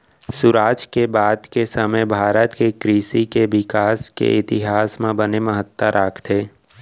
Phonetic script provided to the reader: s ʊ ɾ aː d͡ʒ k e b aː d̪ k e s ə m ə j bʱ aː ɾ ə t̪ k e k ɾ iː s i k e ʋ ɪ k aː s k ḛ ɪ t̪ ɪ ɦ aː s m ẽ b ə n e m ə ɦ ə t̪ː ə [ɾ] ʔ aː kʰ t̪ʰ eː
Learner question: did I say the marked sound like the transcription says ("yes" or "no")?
yes